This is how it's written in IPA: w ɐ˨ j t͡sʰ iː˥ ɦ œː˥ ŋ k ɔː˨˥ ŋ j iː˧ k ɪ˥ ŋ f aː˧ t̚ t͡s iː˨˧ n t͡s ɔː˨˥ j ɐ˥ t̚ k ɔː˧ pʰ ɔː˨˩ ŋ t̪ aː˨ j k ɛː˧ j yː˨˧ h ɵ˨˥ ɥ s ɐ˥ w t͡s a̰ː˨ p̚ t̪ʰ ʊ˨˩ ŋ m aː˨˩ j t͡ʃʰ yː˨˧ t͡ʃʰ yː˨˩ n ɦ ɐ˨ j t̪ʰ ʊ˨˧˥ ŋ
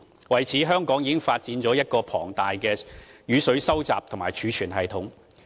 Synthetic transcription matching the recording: w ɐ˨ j t͡sʰ iː˨˥ ɦ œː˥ ŋ k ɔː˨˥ ŋ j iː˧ k ɪ˥ ŋ f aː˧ t̚ t͡s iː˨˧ n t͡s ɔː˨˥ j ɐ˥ t̚ k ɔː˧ pʰ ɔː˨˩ ŋ t̪ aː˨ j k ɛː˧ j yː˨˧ s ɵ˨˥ ɥ s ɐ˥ w t͡s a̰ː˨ p̚ t̪ʰ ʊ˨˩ ŋ m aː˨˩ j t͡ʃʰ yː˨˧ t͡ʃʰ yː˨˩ n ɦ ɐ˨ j t̪ʰ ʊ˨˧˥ ŋ